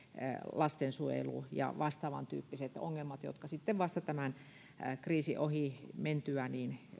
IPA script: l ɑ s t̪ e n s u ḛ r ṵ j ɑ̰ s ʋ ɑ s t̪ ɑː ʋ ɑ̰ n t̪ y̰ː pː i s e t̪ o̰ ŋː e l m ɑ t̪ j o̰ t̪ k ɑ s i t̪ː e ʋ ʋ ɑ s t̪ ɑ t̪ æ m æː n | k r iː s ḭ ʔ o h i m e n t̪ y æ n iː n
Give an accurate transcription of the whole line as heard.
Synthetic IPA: l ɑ s t̪ e n s u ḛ l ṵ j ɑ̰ ʋ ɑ s t̪ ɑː ʋ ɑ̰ n t̪ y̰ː pː i s e t̪ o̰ ŋː e l m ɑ t̪ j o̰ t̪ k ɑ s i t̪ː e ʋ ʋ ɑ s t̪ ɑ t̪ æ m æ n | k r iː s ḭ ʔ o h i m e n t̪ y æ n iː n